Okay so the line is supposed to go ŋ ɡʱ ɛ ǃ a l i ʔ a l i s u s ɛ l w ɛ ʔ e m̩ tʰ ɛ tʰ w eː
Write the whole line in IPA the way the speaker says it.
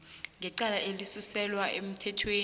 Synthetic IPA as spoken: ŋ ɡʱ ɛ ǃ a l a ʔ e l i s u s ɛ l w a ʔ e m̩ tʰ ɛ tʰ w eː

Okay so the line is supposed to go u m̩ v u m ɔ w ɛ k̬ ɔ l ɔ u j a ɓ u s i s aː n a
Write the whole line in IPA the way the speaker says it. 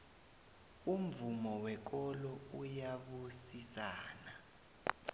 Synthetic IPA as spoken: u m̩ v u m ɔ w ɛ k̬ ɔ l ɔ u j a ɓ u s i s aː n a

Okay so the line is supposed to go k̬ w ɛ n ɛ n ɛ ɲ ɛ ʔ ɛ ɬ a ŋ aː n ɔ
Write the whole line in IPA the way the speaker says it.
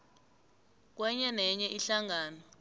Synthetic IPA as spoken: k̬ w ɛ ɲ ɛ n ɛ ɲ ɛ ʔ i ɬ a ŋ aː n ɔ

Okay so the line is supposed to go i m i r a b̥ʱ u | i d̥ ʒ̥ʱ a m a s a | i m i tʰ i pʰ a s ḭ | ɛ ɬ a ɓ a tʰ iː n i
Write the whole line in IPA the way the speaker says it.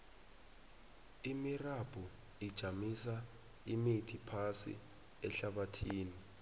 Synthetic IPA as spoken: i m i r a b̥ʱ u | i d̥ ʒ̥ʱ a m i s a | i m i tʰ i pʰ a s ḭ | ɛ ɬ a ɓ a tʰ iː n i

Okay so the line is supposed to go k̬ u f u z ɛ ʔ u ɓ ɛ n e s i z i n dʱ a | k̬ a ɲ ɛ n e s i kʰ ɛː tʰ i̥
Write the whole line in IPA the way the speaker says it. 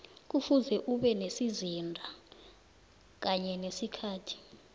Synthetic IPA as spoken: k̬ u f u z ɛ ʔ u ɓ ɛ n e s i z i n dʱ a | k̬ a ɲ ɛ n e s i kʰ aː tʰ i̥

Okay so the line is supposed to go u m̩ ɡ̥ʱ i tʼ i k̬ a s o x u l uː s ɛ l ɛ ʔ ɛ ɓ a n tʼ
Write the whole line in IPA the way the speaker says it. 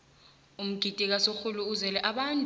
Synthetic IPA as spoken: u m̩ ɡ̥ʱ i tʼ i k̬ a s o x u l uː z ɛ l ɛ ʔ a ɓ a n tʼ

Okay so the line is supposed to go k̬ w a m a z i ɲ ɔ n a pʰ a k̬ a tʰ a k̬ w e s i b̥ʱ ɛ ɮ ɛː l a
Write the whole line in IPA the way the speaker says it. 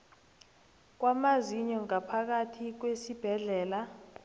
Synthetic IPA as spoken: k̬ w a m a z i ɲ ɔ ŋ a pʰ a k̬ a tʰ i k̬ w e s i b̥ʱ ɛ ɮ ɛː l a

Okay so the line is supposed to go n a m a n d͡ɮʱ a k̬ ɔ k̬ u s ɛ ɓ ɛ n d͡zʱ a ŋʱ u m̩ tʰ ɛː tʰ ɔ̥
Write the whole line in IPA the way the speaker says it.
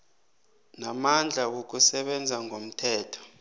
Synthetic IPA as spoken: n a m a n d͡ɮʱ a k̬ o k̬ u s ɛ ɓ ɛ n d͡zʱ a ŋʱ o m̩ tʰ ɛː tʰ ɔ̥

